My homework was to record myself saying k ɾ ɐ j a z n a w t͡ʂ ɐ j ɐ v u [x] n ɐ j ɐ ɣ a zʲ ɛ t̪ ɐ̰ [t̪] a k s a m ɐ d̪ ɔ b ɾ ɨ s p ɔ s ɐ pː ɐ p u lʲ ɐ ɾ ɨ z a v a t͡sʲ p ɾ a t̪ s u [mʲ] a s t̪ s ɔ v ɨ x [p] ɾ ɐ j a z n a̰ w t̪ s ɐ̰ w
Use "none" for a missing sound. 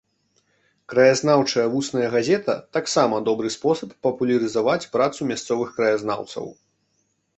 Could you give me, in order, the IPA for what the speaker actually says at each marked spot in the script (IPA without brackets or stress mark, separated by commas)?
s, t̪, mʲ, k